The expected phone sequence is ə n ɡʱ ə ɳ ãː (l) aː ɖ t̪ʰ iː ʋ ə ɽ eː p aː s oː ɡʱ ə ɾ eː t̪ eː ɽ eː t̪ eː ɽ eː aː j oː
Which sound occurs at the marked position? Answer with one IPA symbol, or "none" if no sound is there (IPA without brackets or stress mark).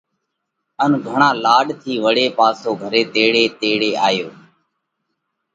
l